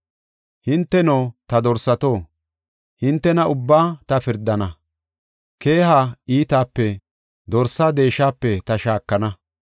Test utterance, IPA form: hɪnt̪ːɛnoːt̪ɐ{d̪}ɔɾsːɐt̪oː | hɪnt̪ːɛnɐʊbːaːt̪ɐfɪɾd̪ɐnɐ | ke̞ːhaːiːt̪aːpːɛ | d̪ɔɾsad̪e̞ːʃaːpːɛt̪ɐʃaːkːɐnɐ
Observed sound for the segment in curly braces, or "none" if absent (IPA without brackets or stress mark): d̪